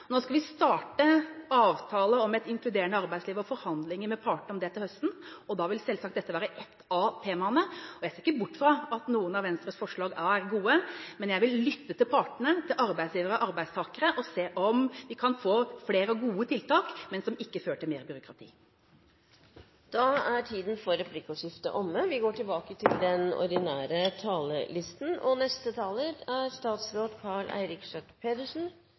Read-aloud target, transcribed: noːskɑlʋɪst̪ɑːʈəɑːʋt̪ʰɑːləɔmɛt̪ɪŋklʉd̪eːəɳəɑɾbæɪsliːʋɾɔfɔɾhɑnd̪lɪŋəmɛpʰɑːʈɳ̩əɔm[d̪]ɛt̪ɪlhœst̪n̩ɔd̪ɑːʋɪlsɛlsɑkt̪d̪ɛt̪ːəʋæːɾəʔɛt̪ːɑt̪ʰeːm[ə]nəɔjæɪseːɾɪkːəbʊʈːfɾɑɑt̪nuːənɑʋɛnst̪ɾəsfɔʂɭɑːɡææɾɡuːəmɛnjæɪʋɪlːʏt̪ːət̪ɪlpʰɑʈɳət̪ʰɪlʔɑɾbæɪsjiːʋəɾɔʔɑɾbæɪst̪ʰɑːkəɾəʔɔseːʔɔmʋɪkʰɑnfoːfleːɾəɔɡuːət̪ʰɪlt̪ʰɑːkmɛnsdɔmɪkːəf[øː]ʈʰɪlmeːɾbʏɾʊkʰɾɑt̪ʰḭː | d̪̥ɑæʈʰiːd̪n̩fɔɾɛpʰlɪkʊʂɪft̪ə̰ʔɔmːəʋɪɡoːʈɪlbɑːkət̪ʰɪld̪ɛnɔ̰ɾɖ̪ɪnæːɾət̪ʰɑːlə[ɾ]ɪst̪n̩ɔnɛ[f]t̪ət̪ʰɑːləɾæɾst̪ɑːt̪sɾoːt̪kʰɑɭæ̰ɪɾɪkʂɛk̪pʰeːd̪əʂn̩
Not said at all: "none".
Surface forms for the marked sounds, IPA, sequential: d̪, ɑ, øː, l, s

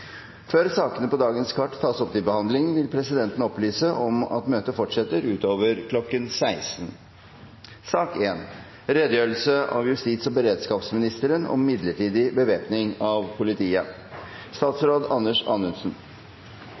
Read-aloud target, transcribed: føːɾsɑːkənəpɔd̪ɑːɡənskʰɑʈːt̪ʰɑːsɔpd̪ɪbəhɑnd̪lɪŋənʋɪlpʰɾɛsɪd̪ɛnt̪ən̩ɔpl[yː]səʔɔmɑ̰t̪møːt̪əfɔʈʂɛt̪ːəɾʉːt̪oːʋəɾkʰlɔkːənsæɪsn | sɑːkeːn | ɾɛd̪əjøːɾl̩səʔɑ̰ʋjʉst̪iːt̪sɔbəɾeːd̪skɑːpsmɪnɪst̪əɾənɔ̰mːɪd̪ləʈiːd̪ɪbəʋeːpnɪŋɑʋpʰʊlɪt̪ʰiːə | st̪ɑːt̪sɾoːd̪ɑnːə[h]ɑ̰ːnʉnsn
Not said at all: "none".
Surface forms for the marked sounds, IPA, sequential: yː, ʂ

